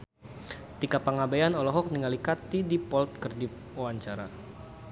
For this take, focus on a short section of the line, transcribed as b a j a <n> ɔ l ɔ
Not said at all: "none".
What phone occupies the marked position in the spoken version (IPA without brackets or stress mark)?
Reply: n